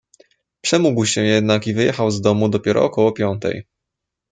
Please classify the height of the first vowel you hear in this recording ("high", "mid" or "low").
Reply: mid